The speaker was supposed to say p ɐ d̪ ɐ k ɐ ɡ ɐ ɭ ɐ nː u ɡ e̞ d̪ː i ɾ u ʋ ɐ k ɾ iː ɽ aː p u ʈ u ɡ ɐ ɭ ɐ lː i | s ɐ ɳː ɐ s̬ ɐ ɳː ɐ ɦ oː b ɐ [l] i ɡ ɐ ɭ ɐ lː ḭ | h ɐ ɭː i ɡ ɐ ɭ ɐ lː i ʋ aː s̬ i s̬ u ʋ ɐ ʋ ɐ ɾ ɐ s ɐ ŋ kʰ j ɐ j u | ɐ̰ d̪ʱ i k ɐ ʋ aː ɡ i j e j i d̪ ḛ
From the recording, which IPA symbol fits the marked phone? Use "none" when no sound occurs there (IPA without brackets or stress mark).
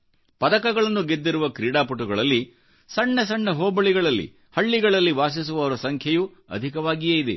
ɭ